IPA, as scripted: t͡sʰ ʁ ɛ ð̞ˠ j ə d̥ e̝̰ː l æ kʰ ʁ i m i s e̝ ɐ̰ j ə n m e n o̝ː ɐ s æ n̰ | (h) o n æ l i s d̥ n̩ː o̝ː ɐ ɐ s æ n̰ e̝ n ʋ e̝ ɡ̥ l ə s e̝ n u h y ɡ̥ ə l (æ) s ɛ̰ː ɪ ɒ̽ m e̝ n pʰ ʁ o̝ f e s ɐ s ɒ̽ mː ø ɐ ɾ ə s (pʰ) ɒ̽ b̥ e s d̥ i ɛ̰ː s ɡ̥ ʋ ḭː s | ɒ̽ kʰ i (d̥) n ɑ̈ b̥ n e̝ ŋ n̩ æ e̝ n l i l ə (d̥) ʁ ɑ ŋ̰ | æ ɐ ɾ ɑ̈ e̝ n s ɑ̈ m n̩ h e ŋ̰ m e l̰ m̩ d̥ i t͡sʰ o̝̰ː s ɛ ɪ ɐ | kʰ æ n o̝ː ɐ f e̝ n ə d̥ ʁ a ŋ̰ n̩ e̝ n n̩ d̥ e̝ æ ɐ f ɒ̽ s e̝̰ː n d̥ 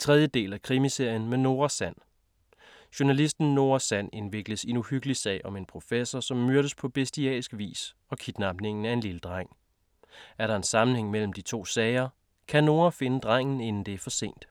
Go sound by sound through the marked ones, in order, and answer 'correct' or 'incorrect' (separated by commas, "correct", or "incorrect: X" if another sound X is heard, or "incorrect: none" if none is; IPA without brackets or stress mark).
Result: incorrect: ɕ, incorrect: i, correct, correct, correct